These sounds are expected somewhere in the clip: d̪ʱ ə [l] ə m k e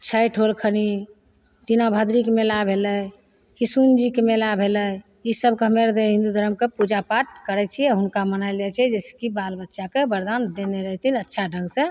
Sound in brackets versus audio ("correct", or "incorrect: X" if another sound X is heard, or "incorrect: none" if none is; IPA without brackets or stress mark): incorrect: ɾ